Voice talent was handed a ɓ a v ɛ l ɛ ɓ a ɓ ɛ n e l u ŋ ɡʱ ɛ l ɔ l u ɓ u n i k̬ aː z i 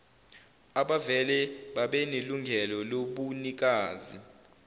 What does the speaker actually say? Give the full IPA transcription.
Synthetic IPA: a ɓ a v ɛ l ɛ ɓ a ɓ ɛ n e l u ŋ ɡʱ ɛ l ɔ l o ɓ u n i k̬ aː z i